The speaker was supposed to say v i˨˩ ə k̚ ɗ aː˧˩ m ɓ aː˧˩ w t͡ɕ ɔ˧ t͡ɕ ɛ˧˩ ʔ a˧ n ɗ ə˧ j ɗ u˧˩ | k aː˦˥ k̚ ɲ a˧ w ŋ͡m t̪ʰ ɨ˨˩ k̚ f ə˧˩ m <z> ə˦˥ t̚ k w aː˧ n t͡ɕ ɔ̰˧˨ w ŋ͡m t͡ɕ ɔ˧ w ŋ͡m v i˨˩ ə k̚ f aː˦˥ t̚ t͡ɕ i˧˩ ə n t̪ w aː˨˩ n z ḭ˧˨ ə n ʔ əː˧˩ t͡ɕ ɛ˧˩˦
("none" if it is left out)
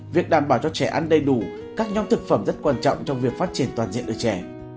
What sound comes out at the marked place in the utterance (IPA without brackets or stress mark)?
z